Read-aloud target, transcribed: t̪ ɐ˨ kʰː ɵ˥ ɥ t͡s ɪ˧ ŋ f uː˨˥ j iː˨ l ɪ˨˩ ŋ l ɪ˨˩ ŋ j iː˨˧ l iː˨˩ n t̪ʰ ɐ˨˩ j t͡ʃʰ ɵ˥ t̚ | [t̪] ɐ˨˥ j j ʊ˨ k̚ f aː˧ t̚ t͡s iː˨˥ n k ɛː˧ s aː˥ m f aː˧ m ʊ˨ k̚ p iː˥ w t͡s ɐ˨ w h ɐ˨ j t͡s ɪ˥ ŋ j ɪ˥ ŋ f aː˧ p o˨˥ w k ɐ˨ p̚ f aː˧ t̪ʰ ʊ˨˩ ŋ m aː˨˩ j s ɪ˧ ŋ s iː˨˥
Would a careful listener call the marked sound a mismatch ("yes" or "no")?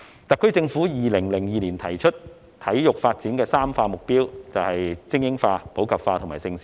yes